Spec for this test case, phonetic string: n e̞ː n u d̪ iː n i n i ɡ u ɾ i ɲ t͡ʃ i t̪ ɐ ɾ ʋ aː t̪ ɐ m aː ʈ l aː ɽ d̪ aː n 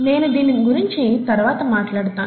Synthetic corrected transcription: n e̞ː n u d̪ iː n i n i ɡ u ɾ i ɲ t͡ʃ i t̪ ɐ ɾ ʋ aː t̪ ɐ m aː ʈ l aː ɽ t̪ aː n

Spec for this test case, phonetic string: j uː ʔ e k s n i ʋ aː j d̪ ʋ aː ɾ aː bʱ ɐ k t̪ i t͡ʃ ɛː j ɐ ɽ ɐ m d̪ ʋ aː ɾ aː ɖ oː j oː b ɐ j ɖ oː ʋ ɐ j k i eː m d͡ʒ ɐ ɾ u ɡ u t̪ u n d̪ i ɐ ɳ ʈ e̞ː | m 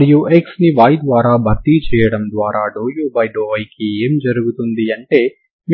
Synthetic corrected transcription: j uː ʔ e k s n i ʋ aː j d̪ ʋ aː ɾ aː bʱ ɐ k t̪ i t͡ʃ ɛː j ɐ ɽ ɐ m d̪ ʋ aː ɾ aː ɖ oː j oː b ɐ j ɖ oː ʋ ɐ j k i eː m d͡ʒ ɐ ɾ u ɡ u t̪ u n d̪ i ɐ ɳ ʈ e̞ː | m

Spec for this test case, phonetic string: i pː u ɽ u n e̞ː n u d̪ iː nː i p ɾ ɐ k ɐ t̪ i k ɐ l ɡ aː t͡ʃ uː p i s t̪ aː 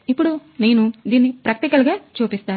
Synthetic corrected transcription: i pː u ɽ u n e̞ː n u d̪ iː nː i p ɾ ɐ k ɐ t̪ i k ɐ l ɡ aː t͡ʃ uː p i s t̪ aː

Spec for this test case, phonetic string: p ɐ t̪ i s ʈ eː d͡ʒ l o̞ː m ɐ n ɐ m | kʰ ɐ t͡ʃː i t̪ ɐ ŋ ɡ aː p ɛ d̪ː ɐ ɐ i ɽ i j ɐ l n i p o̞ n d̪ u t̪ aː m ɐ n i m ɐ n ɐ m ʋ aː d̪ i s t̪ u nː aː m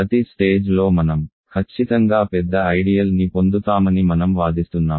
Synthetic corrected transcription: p ɐ t̪ i s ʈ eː d͡ʒ l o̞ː m ɐ n ɐ m | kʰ ɐ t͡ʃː i t̪ ɐ ŋ ɡ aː p ɛ d̪ː ɐ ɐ j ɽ i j ɐ l n i p o̞ n d̪ u t̪ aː m ɐ n i m ɐ n ɐ m ʋ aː d̪ i s t̪ u nː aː m

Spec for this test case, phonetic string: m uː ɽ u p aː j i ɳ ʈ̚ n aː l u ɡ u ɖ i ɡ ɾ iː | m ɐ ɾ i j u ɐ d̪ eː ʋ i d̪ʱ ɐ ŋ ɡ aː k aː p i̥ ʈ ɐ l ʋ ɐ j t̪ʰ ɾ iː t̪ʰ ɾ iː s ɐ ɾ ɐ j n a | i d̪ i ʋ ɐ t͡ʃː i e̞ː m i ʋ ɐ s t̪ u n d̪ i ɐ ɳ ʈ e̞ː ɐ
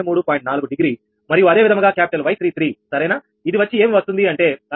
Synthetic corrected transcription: m uː ɽ u p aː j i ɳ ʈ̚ n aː l u ɡ u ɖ i ɡ ɾ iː | m ɐ ɾ i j u ɐ d̪ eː ʋ i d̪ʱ ɐ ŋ ɡ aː k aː p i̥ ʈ ɐ l ʋ ɐ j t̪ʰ ɾ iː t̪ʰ ɾ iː s ɐ ɾ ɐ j n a | i d̪ i ʋ ɐ t͡ʃː i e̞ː m i ʋ ɐ s t̪ u n d̪ i ɐ ɳ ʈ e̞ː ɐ

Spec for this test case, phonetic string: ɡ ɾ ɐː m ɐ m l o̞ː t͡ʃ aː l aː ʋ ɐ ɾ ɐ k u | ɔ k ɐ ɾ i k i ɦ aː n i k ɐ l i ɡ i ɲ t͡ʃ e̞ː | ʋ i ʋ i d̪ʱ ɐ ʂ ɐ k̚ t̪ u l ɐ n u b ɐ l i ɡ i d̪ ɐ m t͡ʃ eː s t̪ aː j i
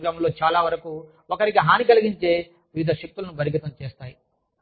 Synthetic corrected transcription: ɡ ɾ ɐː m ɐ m l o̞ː t͡ʃ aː l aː ʋ ɐ ɾ ɐ k u | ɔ k ɐ ɾ i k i ɦ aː n i k ɐ l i ɡ i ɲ t͡ʃ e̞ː | ʋ i ʋ i d̪ʱ ɐ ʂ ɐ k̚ t̪ u l ɐ n u b ɐ ɾ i ɡ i t̪ ɐ m t͡ʃ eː s t̪ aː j i

